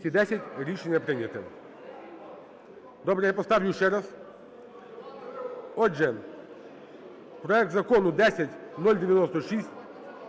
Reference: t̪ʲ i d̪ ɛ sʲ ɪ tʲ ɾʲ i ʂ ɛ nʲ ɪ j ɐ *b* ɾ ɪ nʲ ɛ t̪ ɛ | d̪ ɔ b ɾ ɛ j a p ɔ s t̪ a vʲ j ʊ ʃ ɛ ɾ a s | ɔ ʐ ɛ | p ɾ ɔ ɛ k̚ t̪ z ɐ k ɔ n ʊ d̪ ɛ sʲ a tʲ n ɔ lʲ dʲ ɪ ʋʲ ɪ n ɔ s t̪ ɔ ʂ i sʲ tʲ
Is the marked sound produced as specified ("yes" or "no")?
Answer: no